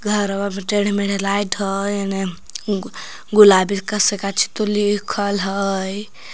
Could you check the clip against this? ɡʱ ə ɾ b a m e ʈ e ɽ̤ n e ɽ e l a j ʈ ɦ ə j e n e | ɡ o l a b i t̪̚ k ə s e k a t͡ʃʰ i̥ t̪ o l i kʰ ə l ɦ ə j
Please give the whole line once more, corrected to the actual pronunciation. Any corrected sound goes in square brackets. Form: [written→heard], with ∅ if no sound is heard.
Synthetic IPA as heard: ɡʱ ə ɾ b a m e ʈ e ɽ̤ [n→m] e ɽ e l a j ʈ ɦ ə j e n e | ɡ [o→u] l a b i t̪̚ k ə s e k a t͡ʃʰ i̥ t̪ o l i kʰ ə l ɦ ə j